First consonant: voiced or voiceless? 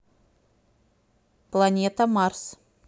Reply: voiceless